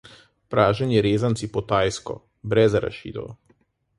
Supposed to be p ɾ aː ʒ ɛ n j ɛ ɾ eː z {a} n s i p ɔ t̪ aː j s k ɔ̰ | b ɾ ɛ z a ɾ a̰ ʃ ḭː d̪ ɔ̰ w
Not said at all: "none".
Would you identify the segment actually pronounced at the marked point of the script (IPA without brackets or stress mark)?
a